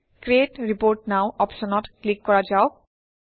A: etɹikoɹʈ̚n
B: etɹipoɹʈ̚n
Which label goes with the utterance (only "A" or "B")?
B